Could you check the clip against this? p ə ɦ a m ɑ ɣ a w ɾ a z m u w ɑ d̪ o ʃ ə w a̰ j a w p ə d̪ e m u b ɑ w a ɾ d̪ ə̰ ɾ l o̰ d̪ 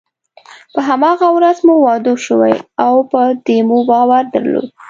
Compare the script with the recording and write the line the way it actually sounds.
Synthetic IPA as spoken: p ə ɦ a m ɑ ɣ a w ɾ a z m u w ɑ d̪ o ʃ ə w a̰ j a w p ə d̪ e m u b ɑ w a ɾ d̪ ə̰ ɾ l o̰ d̪